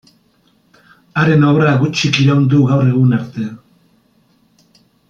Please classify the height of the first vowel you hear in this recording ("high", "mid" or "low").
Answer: low